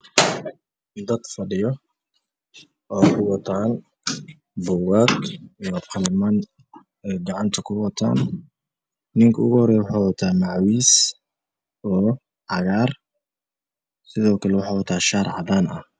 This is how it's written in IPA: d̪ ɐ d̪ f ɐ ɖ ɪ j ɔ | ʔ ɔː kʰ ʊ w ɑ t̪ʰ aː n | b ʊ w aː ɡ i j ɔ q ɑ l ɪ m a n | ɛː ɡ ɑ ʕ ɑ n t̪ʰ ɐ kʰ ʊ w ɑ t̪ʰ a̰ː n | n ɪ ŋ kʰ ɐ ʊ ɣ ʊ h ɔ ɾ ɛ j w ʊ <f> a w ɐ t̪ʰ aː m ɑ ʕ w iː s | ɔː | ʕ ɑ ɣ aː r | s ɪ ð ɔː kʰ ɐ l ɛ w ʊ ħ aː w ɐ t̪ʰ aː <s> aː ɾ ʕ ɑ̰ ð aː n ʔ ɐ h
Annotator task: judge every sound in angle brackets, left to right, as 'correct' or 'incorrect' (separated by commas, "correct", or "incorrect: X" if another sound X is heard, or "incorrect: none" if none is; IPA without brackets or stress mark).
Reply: incorrect: ħ, incorrect: ʃ